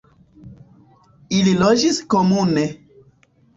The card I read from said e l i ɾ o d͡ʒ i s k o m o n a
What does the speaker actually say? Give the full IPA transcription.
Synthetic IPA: i l i l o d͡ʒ i s k o m u n e